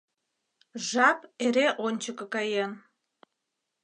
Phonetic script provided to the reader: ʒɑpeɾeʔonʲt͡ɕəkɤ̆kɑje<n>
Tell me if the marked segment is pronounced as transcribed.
yes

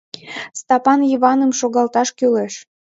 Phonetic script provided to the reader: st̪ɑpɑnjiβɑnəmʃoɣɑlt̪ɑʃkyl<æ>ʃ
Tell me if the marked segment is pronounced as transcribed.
no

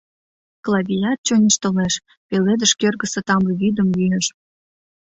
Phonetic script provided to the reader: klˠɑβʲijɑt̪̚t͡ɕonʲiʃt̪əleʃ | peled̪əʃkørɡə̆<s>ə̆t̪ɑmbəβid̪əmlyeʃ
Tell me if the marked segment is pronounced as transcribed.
yes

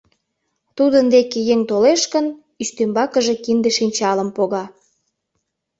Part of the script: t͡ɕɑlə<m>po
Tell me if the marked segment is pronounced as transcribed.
yes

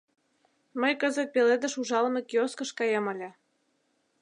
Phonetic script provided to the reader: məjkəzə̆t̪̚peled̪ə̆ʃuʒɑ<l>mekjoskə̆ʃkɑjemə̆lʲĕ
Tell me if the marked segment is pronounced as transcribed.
yes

